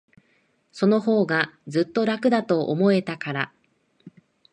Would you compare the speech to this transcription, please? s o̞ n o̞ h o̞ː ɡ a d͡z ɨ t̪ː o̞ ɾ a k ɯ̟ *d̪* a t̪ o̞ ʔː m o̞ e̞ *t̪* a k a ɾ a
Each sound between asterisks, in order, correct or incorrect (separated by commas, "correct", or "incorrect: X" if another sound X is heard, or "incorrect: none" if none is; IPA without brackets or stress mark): correct, correct